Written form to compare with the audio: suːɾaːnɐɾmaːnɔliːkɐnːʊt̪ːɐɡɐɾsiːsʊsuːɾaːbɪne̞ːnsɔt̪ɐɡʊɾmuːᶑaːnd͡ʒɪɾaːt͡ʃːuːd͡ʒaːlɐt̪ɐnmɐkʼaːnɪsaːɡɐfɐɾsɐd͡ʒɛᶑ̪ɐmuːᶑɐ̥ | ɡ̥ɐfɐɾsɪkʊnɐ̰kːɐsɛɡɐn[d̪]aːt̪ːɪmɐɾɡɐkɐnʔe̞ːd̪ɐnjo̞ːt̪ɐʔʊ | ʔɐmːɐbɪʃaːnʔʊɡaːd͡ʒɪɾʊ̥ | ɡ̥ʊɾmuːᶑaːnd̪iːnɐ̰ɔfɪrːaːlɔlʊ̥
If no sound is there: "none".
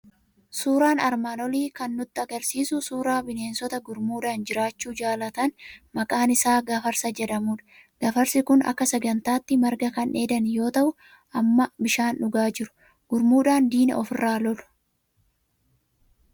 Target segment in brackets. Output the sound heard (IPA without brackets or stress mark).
t̪